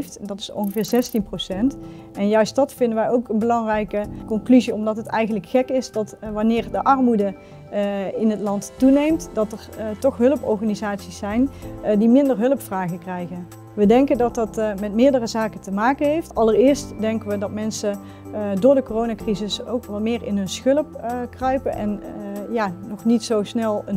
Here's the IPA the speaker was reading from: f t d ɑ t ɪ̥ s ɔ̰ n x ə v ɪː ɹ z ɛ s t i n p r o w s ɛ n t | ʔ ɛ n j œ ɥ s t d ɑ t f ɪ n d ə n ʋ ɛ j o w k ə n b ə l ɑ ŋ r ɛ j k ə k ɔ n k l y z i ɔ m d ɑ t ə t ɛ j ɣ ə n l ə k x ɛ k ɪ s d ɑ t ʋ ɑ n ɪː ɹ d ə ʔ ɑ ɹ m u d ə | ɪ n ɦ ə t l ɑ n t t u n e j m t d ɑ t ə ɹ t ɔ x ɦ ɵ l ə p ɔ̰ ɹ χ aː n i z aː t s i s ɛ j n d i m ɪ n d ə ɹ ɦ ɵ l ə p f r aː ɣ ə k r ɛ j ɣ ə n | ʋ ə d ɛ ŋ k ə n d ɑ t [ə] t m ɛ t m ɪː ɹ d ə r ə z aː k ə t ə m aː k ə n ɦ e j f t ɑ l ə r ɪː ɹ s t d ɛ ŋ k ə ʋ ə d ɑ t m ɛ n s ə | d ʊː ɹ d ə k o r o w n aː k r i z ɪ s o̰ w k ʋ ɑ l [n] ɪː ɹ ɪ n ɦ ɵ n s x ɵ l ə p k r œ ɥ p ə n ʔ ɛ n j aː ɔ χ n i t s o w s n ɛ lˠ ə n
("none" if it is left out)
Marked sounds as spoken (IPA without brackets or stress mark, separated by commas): ɑ, m